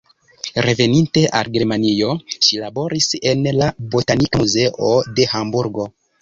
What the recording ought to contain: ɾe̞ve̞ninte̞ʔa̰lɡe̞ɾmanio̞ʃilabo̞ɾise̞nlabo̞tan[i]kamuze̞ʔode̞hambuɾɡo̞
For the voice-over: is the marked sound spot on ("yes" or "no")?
yes